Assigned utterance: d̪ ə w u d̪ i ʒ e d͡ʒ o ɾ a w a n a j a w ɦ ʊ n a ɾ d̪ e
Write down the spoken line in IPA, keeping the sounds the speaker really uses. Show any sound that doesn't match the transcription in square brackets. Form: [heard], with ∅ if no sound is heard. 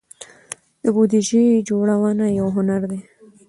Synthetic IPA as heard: d̪ ə [b] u d̪ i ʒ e d͡ʒ o [ɽ] a w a n a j a w ɦ ʊ n a ɾ d̪ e